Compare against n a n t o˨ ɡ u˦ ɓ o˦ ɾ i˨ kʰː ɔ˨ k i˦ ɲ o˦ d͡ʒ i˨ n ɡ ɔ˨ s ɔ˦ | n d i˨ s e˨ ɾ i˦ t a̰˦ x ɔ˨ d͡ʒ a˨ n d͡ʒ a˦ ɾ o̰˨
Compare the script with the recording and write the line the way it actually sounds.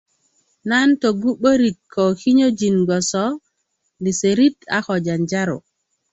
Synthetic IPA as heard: n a n t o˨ ɡ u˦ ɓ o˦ ɾ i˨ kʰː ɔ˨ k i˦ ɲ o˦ d͡ʒ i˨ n ɡ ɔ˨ s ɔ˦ | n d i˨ s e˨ ɾ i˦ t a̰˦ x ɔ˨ d͡ʒ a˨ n d͡ʒ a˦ ɾ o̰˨